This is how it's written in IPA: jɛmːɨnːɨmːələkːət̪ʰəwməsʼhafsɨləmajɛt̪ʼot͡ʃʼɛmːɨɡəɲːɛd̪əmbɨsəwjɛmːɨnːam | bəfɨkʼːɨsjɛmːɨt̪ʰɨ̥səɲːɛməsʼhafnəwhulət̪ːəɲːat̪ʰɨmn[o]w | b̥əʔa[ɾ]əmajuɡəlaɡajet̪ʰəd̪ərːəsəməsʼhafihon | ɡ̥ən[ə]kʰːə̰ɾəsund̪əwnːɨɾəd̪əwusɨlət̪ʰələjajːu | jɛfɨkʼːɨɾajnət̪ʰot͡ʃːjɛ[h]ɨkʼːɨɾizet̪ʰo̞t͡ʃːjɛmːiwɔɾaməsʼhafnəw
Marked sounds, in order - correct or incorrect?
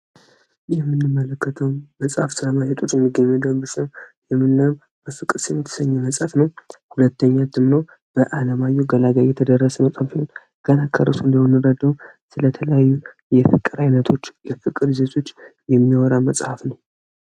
correct, incorrect, incorrect, incorrect

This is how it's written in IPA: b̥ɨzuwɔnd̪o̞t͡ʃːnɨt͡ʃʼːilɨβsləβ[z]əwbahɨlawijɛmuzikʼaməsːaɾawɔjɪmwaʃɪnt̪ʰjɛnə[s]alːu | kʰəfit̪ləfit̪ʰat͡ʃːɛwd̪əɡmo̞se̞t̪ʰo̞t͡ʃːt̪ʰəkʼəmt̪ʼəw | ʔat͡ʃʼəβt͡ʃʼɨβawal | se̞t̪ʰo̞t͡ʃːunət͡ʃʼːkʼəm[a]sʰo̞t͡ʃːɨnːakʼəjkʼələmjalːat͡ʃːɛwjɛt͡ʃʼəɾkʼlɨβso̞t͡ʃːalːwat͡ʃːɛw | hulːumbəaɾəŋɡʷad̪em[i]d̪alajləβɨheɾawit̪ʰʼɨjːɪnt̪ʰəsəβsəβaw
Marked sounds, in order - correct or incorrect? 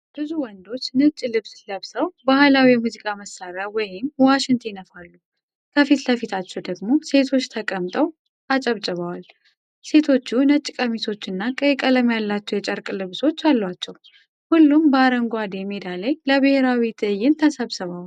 incorrect, incorrect, incorrect, incorrect

